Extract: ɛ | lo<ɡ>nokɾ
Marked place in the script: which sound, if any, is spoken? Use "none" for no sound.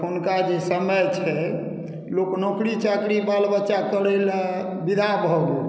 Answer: k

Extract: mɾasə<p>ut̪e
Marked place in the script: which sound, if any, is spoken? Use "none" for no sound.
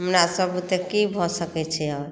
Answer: b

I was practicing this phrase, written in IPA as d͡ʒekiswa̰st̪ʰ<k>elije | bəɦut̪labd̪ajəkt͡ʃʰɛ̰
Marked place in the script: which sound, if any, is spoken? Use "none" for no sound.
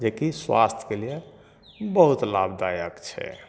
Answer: k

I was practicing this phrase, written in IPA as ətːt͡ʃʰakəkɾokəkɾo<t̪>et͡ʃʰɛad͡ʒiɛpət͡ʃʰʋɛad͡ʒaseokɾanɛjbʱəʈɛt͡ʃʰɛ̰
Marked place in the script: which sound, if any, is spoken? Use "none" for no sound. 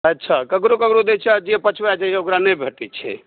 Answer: d̪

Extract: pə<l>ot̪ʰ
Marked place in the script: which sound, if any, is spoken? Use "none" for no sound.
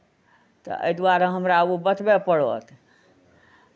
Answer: ɽ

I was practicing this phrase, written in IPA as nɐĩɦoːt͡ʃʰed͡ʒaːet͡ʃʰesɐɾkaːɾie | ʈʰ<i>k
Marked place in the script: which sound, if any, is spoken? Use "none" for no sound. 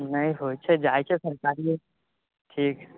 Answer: iː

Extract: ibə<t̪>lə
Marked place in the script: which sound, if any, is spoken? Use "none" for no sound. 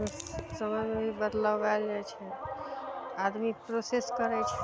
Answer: d̪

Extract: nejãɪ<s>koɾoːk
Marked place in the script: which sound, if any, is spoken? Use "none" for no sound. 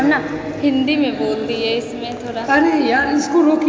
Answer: s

